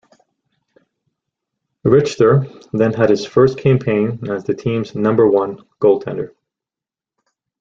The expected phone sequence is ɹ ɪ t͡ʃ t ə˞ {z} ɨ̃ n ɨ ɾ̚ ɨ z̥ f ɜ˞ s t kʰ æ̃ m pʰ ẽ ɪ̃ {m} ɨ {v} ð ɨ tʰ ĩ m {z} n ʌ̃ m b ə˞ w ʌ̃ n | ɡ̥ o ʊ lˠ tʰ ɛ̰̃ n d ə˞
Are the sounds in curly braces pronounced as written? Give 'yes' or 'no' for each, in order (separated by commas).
no, no, no, yes